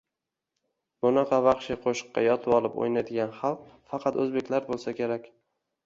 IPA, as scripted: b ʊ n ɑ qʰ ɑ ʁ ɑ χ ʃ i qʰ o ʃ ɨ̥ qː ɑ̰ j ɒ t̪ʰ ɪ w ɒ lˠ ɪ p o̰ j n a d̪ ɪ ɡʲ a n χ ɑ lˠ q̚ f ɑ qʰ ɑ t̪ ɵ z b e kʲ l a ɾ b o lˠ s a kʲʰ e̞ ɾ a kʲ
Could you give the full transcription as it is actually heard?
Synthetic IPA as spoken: b ʊ n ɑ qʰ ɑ v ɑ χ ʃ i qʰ o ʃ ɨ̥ qː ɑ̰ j ɒ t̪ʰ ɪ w ɒ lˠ ɪ p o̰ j n a d̪ ɪ ɡʲ a n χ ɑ lˠ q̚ f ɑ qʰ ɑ t̪ ɵ z b e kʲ l a ɾ b o lˠ s a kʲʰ e̞ ɾ a kʲ